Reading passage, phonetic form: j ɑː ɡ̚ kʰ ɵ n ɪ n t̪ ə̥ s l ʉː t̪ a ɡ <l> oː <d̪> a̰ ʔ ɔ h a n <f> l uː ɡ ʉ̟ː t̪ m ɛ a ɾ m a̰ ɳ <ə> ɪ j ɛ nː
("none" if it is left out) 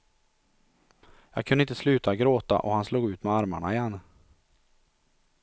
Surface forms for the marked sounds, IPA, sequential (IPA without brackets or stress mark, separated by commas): ɾ, t̪, s, a